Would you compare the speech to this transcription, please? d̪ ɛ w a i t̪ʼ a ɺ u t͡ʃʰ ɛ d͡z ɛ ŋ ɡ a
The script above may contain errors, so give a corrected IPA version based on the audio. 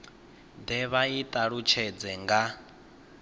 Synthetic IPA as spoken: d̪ ɛ β a i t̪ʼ a ɺ u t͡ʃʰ ɛ d͡z ɛ ŋ ɡ a